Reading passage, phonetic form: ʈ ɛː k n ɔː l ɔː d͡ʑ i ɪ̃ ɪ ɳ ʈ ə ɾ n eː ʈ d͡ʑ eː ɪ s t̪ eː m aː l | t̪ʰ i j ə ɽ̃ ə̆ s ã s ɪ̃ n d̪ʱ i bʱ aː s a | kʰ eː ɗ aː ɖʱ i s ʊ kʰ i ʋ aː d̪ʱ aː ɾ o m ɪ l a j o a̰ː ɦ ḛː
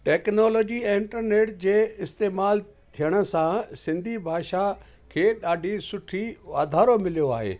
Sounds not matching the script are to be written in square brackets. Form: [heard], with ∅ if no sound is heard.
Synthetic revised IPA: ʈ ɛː k n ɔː l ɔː d͡ʑ i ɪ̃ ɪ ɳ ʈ ə ɾ n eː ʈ d͡ʑ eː ɪ s t̪ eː m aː l | t̪ʰ i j ə ɽ̃ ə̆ s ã s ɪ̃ n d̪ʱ i bʱ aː [ʃ] a | kʰ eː ɗ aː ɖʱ i s ʊ [ʈʰ] i ʋ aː d̪ʱ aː ɾ o m ɪ l [i] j o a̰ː ɦ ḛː